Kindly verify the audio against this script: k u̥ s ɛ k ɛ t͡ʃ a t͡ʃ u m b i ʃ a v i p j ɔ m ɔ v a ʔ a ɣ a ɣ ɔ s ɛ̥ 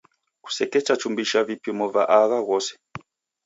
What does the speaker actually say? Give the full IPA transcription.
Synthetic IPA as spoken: k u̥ s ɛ k ɛ t͡ʃ a t͡ʃ u m b i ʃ a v i p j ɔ m ɔ v a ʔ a ɣ a ɣ ɔ s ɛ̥